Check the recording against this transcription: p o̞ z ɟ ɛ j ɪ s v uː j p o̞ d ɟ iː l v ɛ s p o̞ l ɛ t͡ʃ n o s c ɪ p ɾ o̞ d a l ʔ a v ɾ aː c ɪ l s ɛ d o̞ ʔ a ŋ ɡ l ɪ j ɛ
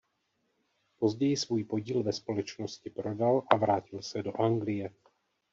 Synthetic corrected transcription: p o̞ z ɟ ɛ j ɪ s v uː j p o̞ ɟ iː l v ɛ s p o̞ l ɛ t͡ʃ n o s c ɪ p ɾ o̞ d a l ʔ a v ɾ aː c ɪ l s ɛ d o̞ ʔ a ŋ ɡ l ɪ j ɛ